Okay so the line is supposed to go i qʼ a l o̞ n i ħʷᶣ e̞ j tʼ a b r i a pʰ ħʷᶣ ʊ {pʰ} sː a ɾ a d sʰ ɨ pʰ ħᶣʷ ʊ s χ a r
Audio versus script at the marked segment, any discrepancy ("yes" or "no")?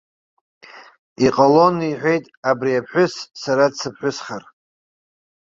yes